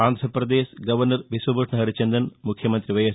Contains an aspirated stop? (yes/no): yes